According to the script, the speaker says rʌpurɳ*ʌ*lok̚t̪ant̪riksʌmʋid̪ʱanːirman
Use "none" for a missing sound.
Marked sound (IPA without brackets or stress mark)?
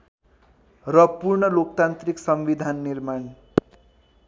ʌ